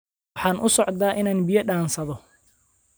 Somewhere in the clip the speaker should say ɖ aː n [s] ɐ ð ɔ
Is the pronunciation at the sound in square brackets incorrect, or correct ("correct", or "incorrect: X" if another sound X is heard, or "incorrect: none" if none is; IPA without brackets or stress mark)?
correct